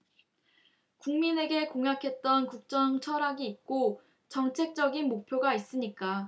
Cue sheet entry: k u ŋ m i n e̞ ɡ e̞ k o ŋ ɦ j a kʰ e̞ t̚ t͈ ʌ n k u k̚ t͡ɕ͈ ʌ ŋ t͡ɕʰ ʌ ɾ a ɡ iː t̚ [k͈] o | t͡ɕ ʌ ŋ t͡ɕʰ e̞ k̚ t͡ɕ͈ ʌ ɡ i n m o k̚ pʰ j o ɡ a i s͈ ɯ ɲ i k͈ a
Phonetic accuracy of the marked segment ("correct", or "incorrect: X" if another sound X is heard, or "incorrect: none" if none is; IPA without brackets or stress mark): correct